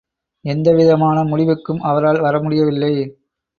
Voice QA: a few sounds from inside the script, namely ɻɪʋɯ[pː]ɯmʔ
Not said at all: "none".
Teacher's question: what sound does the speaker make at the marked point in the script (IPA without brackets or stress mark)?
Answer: kː